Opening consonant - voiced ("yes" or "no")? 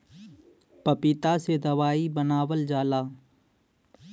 no